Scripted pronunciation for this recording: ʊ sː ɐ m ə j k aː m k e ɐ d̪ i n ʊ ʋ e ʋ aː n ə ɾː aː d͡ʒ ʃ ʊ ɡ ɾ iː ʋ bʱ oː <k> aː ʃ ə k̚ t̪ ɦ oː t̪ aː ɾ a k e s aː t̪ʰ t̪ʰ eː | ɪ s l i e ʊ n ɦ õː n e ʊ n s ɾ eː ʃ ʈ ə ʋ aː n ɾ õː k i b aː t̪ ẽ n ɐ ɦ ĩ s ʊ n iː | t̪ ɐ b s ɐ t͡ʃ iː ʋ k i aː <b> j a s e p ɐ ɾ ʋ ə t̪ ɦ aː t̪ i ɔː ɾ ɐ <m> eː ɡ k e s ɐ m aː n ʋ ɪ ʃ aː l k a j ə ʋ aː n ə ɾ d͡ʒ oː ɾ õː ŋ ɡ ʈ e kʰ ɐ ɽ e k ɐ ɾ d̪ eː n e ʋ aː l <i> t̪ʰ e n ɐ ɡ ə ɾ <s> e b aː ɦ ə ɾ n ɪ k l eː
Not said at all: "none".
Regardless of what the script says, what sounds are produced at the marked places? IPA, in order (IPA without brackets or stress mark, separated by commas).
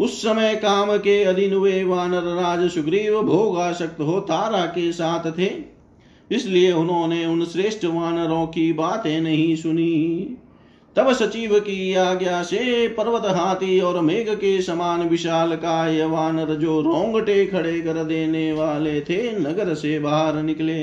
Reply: ɡ, ɡ, m, e, s